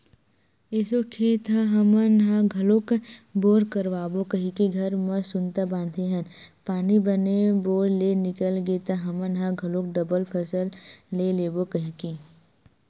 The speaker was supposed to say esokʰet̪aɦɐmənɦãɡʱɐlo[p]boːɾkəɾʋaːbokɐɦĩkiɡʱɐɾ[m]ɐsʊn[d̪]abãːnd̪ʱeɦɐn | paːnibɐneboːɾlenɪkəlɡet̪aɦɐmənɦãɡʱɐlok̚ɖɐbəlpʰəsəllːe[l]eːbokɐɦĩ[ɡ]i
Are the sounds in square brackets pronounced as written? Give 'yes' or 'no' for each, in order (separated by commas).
no, yes, no, yes, no